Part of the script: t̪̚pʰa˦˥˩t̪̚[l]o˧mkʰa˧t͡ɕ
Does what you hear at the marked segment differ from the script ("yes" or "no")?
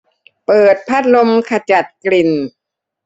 no